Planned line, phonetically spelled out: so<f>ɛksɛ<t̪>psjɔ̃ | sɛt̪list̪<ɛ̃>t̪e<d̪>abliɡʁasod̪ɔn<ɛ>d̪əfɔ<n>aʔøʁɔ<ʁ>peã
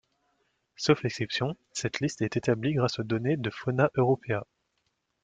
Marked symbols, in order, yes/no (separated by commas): yes, no, no, no, no, yes, no